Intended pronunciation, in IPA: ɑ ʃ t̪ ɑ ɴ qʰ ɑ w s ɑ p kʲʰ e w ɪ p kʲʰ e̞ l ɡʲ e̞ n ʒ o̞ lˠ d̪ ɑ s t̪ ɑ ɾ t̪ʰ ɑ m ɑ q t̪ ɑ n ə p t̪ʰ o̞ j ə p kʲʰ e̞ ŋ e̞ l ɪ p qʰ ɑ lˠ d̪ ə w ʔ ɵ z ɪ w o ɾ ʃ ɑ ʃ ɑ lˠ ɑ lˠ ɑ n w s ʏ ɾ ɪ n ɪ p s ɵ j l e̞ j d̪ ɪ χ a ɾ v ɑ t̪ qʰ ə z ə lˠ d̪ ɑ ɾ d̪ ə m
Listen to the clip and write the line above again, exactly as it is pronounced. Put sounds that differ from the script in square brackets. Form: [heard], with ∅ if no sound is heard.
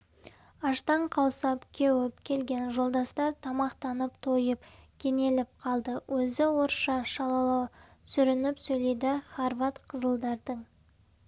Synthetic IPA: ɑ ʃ t̪ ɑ ɴ qʰ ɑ w s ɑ p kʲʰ e w ɪ p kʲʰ e̞ l ɡʲ e̞ n ʒ o̞ lˠ d̪ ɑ s t̪ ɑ ɾ t̪ʰ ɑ m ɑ q t̪ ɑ n ə p t̪ʰ o̞ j ə p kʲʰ e̞ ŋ e̞ l ɪ p qʰ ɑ lˠ d̪ ə w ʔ ɵ z ɪ w o ɾ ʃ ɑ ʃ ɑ lˠ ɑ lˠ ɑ [∅] w s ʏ ɾ ɪ n ɪ p s ɵ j l e̞ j d̪ ɪ χ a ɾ v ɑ t̪ qʰ ə z ə lˠ d̪ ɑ ɾ d̪ ə [ɴ]